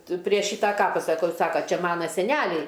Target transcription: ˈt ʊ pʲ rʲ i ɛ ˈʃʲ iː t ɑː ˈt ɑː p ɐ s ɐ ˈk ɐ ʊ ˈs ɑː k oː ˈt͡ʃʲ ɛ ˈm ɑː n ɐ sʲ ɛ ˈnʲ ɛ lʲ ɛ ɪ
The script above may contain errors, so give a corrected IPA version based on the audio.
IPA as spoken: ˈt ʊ pʲ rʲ i ɛ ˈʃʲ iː t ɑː ˈk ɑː p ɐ s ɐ ˈk ɐ ʊ ˈs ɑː k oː ˈt͡ʃʲ ɛ ˈm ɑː n ɐ sʲ ɛ ˈnʲ æ lʲ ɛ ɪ

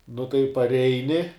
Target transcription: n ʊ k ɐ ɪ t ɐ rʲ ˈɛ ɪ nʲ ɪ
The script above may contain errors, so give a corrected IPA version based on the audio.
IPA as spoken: n ʊ t ɐ ɪ p ɐ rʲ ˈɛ ɪ nʲ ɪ

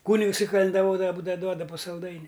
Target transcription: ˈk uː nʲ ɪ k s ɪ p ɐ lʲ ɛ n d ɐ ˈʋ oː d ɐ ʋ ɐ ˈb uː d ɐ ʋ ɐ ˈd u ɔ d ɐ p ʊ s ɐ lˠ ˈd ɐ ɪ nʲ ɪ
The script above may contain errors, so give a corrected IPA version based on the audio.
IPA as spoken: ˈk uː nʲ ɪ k s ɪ k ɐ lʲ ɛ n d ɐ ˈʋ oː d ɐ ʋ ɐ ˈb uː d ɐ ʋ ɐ ˈd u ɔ d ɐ p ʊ s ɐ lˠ ˈd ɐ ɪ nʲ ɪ

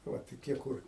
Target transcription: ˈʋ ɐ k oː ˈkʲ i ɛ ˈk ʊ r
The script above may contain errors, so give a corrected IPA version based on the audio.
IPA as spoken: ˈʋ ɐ t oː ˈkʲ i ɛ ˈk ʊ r

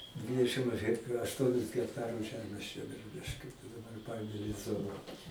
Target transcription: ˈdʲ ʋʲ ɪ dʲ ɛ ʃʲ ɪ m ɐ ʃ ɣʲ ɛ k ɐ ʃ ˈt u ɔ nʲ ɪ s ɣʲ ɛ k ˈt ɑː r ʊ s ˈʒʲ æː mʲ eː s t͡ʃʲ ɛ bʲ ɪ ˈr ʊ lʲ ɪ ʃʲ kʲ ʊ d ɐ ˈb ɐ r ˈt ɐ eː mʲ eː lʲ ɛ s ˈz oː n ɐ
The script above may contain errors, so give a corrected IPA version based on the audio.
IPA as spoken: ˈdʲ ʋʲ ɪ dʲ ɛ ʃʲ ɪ m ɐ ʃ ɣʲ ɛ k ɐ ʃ ˈt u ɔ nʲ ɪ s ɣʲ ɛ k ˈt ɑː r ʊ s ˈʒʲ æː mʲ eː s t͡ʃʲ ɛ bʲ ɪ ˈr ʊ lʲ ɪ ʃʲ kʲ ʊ d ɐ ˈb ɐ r ˈp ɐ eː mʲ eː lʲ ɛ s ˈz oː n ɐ

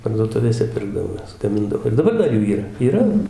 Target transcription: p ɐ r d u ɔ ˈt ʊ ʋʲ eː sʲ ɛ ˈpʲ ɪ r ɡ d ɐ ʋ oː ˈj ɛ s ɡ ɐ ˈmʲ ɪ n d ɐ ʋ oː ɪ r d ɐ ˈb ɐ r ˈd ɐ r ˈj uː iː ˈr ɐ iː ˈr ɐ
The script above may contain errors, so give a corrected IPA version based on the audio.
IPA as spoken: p ɐ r d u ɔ ˈt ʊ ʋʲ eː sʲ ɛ ˈpʲ ɪ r ɡ d ɐ ʋ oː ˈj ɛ s ɡ ɐ ˈmʲ ɪ n d ɐ ʋ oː ɪ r d ɐ ˈb ɐ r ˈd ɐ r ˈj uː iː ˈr ɐ iː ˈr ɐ

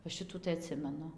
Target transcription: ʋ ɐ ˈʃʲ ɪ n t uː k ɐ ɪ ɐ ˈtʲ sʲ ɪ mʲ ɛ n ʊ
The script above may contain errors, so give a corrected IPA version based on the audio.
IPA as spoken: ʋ ɐ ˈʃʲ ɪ t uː t ɐ ɪ ɐ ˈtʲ sʲ ɪ mʲ ɛ n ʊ

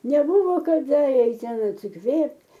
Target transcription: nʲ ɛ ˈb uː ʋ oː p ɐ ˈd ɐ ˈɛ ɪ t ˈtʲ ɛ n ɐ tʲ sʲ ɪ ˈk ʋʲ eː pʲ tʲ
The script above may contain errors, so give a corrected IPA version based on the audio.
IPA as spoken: nʲ ɛ ˈb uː ʋ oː k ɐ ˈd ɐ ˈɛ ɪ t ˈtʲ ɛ n ɐ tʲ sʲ ɪ ˈk ʋʲ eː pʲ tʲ

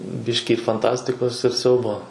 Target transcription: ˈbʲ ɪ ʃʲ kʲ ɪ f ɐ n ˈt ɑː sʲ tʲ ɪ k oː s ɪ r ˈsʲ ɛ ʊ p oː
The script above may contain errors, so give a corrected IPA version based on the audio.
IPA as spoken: ˈbʲ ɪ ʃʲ kʲ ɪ f ɐ n ˈt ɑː sʲ tʲ ɪ k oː s ɪ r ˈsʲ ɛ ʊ b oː

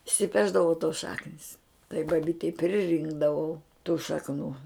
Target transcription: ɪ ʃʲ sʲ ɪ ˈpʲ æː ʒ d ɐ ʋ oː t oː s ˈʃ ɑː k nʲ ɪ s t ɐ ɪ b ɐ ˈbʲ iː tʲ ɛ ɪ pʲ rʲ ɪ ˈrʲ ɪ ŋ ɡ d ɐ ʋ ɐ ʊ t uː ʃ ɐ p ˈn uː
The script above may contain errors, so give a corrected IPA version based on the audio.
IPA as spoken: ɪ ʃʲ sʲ ɪ ˈpʲ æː ʒ d ɐ ʋ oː t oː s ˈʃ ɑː k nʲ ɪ s t ɐ ɪ b ɐ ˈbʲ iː tʲ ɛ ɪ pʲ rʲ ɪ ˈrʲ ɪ ŋ ɡ d ɐ ʋ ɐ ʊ t uː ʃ ɐ k ˈn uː

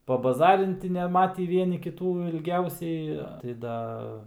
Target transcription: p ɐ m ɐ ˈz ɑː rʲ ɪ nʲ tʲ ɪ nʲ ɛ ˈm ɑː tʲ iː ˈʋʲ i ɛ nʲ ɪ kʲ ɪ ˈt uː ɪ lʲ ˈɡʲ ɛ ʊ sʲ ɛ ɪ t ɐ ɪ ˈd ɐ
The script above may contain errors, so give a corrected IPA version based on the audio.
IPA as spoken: p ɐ b ɐ ˈz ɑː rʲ ɪ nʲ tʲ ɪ nʲ ɛ ˈm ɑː tʲ iː ˈʋʲ i ɛ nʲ ɪ kʲ ɪ ˈt uː ɪ lʲ ˈɡʲ ɛ ʊ sʲ ɛ ɪ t ɐ ɪ ˈd ɐ

